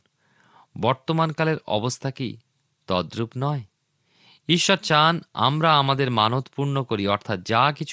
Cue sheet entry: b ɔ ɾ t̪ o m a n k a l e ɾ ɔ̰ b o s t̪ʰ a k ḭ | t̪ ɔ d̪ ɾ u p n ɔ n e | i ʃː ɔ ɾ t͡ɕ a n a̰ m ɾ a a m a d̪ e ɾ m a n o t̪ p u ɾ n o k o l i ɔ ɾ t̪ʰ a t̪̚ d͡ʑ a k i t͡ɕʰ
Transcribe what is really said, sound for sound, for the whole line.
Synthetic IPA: b ɔ ɾ t̪ o m a n k a l e ɾ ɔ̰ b o s t̪ʰ a k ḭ | t̪ ɔ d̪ ɾ u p n ɔ e | i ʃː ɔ ɾ t͡ɕ a n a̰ m ɾ a a m a d̪ e ɾ m a n o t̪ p u ɾ n o k o ɾ i ɔ ɾ t̪ʰ a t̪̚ d͡ʑ a k i t͡ɕʰ